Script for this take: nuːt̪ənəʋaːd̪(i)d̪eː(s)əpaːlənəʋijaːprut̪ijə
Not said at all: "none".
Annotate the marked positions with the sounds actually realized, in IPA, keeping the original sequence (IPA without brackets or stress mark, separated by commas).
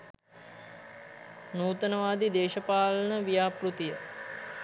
i, ʃ